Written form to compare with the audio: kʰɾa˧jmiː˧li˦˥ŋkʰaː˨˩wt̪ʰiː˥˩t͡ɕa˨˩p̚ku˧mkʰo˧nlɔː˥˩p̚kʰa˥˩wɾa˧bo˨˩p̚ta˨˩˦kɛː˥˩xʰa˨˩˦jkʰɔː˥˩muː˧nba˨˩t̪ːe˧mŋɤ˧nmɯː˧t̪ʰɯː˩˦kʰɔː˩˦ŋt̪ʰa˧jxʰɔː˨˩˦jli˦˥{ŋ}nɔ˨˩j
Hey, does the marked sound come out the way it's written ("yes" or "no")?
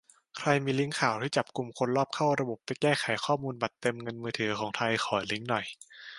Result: yes